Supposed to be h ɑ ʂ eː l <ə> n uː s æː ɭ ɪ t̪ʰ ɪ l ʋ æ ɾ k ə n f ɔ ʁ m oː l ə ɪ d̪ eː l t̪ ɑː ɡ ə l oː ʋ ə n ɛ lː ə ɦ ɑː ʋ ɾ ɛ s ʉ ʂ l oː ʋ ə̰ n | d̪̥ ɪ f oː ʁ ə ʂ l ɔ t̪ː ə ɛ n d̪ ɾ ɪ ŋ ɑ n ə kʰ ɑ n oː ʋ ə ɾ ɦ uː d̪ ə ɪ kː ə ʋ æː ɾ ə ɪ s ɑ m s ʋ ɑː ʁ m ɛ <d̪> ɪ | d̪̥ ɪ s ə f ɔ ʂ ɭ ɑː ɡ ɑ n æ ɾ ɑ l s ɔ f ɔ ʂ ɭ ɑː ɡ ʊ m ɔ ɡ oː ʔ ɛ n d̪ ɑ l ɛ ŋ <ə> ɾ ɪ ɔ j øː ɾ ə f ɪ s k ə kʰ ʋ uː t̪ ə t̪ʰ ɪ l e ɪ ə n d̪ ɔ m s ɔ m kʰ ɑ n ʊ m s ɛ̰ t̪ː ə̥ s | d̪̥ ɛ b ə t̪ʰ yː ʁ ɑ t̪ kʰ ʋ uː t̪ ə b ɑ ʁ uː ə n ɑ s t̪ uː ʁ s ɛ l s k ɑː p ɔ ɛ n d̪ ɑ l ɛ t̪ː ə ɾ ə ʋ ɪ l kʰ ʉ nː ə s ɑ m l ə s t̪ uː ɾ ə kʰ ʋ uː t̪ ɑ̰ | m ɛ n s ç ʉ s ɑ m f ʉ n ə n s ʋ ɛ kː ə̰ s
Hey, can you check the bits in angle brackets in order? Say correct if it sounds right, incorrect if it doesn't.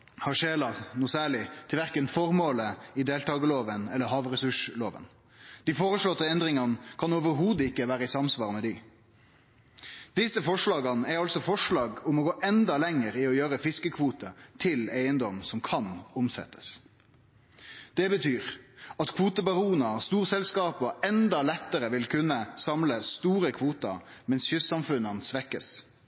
incorrect: ɑ, correct, correct

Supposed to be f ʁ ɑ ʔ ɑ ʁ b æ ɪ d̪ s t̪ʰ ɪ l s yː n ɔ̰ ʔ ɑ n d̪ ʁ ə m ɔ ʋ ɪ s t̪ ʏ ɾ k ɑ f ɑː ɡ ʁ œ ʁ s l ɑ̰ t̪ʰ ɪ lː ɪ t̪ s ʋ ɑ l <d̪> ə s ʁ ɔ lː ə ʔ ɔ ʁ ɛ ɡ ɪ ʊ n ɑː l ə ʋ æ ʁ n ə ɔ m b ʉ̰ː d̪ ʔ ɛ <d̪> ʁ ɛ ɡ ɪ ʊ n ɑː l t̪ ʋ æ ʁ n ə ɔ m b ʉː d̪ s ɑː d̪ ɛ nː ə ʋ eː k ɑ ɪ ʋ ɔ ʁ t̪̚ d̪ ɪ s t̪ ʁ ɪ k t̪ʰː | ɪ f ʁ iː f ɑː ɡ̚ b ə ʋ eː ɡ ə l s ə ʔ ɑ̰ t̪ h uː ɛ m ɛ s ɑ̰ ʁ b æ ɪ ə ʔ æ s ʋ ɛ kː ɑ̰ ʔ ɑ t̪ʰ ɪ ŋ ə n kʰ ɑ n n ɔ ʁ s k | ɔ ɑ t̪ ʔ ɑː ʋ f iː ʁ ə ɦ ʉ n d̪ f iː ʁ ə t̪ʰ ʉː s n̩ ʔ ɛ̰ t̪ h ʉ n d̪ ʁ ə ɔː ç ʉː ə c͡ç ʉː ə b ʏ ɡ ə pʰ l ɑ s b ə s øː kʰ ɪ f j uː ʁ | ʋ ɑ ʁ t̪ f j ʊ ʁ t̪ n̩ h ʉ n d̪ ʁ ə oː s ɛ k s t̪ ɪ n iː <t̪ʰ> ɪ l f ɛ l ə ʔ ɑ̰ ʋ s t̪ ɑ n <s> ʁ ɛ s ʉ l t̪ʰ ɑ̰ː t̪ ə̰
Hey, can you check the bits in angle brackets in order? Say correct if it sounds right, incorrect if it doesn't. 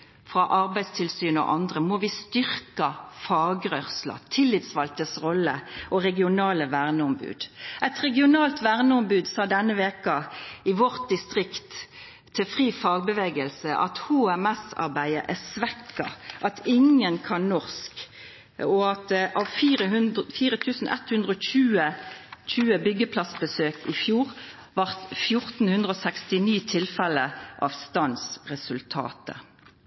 incorrect: t̪, incorrect: t̪, correct, correct

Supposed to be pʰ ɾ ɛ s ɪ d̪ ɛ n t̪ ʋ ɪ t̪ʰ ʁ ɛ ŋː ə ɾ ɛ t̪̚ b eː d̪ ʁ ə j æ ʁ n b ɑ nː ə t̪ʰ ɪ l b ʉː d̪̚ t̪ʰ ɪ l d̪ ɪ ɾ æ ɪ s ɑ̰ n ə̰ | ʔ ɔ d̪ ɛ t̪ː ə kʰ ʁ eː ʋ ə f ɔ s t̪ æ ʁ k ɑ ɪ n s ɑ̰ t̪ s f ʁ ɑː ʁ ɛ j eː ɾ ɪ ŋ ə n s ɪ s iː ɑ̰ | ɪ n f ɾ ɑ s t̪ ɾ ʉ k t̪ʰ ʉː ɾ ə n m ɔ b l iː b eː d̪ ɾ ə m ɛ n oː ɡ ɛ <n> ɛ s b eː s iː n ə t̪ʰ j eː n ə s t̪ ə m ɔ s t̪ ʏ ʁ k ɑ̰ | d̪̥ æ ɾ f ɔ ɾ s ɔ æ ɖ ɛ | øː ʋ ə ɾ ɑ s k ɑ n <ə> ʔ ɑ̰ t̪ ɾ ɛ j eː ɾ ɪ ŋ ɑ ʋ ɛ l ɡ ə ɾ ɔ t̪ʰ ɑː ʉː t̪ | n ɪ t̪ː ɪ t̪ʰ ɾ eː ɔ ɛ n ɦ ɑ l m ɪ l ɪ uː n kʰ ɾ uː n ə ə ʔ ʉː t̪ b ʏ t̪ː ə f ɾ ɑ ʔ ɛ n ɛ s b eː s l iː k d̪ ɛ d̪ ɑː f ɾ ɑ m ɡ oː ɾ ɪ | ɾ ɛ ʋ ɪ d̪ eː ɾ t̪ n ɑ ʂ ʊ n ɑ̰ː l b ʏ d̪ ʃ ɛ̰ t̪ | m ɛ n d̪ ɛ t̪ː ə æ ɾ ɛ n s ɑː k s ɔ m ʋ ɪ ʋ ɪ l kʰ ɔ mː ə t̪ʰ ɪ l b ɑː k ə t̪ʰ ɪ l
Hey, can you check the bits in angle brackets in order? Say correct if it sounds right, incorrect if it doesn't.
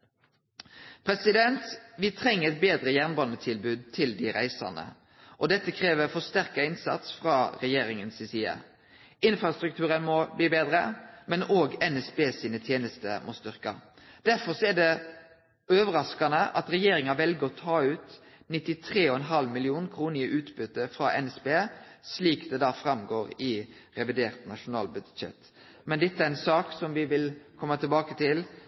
correct, correct

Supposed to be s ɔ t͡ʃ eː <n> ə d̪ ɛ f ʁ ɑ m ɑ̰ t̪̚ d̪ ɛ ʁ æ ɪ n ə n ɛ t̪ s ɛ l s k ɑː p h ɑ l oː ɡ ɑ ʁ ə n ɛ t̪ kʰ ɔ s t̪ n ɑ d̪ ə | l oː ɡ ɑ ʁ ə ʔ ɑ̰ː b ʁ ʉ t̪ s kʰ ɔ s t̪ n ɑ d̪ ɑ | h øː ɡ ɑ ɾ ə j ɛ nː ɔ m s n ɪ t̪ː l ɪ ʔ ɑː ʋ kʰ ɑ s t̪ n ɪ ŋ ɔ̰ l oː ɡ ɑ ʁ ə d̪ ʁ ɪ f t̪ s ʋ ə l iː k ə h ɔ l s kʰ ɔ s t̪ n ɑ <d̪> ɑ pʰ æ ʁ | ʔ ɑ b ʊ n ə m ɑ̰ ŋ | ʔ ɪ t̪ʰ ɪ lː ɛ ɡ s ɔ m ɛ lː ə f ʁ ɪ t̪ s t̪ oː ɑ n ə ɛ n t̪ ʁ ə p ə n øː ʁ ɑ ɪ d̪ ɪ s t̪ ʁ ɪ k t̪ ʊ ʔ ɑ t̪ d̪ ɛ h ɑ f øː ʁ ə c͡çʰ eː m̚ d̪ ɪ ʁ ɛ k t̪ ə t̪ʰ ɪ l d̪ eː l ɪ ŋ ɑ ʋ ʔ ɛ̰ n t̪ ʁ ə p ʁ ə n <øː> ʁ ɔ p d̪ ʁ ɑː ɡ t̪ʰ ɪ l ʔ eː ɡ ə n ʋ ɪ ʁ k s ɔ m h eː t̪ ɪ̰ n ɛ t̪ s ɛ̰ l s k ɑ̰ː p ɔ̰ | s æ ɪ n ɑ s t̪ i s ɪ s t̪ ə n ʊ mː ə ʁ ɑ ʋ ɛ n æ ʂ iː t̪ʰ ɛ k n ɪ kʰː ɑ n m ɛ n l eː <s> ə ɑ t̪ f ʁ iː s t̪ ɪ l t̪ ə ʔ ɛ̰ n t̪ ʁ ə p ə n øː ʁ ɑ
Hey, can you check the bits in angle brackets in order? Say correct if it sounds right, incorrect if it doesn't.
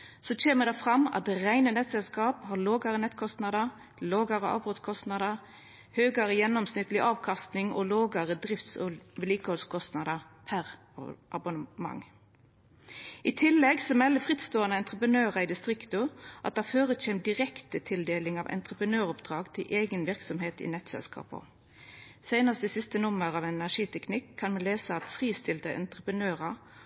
incorrect: m, correct, correct, correct

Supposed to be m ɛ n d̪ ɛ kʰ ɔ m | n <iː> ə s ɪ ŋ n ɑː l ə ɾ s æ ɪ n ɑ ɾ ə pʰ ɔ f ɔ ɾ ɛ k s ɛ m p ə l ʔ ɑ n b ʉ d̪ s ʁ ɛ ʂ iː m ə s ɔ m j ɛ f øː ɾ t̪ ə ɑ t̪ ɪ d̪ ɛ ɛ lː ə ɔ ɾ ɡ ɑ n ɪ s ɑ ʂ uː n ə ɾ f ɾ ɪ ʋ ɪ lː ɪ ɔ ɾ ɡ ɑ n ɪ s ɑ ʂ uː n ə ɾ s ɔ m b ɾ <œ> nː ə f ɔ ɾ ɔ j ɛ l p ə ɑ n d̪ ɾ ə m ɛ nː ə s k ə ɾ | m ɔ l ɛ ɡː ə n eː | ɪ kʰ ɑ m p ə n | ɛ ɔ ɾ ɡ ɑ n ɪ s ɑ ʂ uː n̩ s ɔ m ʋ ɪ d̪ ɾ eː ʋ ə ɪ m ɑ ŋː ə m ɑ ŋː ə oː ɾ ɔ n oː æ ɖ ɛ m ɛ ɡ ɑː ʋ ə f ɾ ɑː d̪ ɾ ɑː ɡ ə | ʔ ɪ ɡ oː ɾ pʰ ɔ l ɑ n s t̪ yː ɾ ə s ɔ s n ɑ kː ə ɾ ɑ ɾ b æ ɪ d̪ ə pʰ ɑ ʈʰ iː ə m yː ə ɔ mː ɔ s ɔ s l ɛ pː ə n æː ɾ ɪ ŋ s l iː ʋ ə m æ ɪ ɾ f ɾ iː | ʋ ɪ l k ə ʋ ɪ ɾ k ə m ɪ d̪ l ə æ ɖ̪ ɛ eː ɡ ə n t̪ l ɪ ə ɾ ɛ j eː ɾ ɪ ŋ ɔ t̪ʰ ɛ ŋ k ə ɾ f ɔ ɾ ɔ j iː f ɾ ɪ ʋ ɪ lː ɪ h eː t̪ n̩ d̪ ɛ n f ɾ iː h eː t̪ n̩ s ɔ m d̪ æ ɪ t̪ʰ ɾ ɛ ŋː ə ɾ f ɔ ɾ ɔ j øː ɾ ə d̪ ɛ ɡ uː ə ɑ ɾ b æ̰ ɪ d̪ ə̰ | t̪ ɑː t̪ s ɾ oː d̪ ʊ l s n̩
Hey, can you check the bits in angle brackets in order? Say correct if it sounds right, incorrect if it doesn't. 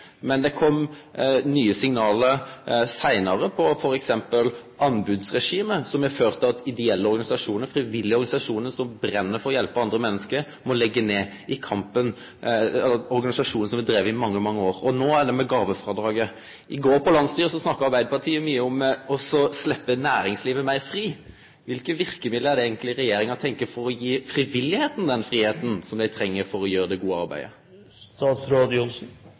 incorrect: yː, incorrect: ɛ

